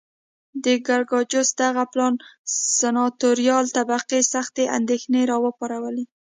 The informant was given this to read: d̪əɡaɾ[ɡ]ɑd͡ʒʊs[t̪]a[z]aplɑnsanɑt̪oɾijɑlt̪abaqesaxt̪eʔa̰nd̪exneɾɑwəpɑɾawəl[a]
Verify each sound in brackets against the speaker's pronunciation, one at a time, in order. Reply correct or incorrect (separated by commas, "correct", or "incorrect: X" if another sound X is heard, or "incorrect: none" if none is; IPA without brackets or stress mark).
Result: correct, incorrect: d̪, incorrect: ɣ, incorrect: e